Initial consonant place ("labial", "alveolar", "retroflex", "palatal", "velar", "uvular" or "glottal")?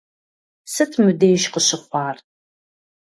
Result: alveolar